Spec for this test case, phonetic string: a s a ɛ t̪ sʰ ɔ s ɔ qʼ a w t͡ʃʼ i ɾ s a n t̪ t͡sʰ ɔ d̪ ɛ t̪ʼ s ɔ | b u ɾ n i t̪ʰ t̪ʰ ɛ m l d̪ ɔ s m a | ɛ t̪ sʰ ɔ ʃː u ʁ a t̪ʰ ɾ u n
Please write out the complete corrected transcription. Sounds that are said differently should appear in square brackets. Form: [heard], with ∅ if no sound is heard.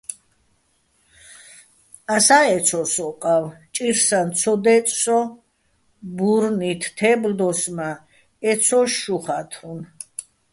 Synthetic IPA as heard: a s a ɛ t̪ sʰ ɔ s ɔ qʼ a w t͡ʃʼ i ɾ s a n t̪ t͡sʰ ɔ d̪ ɛ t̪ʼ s ɔ | b u ɾ n i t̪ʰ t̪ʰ ɛ [b] l d̪ ɔ s m a | ɛ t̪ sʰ ɔ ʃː u [χ] a t̪ʰ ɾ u n